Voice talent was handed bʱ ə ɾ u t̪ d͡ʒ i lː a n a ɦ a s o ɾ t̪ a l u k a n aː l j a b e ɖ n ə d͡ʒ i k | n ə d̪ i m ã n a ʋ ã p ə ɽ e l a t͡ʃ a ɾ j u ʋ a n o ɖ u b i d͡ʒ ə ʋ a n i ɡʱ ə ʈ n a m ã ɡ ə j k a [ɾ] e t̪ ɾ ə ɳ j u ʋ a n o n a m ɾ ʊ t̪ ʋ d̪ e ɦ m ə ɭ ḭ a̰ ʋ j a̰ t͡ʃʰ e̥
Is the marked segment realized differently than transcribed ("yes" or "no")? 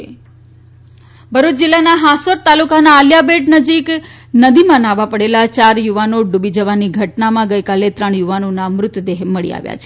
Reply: yes